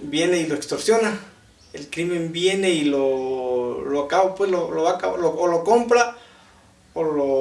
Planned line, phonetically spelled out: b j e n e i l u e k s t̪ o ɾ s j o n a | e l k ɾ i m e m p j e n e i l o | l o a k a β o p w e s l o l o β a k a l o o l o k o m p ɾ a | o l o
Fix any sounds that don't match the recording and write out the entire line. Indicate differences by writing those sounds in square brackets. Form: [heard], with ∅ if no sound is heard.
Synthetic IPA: b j e n e i l [o] e k s t̪ o ɾ s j o n a | e l k ɾ i m e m [b] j e n e i l o | l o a k a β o p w e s l o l o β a k a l o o l o k o m p ɾ a | o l o